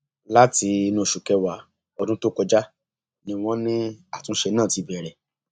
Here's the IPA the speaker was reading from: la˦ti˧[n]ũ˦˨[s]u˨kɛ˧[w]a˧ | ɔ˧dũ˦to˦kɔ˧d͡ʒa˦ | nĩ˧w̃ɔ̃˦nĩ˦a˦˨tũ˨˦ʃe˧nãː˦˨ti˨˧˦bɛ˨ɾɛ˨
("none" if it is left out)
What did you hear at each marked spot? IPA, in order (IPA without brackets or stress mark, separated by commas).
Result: n, ʃ, w